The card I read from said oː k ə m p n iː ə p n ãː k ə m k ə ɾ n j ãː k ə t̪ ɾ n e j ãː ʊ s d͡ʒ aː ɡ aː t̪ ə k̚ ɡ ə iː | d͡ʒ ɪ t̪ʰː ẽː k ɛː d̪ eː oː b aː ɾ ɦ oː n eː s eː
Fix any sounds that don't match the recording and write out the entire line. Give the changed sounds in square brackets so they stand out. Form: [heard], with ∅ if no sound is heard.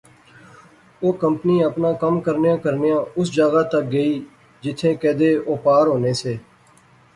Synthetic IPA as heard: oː k ə m p n iː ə p n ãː k ə m k ə ɾ n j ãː k ə [∅] ɾ n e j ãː ʊ s d͡ʒ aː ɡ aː t̪ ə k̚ ɡ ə iː | d͡ʒ ɪ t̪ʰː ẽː k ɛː d̪ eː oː [p] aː ɾ ɦ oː n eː s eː